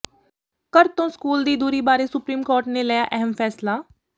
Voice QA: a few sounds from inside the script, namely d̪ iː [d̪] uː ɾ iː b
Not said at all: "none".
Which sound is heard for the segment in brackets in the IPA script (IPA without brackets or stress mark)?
d̪